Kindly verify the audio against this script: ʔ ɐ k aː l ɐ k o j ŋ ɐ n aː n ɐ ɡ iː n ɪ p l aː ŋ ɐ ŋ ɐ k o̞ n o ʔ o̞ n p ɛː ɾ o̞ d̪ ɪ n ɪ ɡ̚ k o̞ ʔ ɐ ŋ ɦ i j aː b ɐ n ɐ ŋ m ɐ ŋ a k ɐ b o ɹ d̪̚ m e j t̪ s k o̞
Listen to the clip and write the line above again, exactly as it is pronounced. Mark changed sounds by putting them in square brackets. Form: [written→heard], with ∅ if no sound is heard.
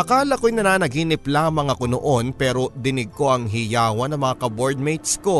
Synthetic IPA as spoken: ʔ ɐ k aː l ɐ k o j [ŋ→n] ɐ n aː n ɐ ɡ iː n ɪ p l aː [ŋ→m] ɐ ŋ ɐ k o̞ n o ʔ o̞ n p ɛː ɾ o̞ d̪ ɪ n ɪ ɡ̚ k o̞ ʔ ɐ ŋ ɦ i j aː [b→w] ɐ n ɐ ŋ m ɐ ŋ a k ɐ b o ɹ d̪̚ m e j t̪ s k o̞